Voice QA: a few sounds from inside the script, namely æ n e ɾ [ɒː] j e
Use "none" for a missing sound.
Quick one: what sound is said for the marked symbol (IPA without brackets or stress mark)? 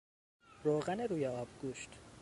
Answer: uː